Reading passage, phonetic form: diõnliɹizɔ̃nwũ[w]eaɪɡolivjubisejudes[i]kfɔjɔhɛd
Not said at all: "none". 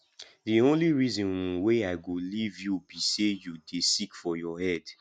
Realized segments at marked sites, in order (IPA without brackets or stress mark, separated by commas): w, i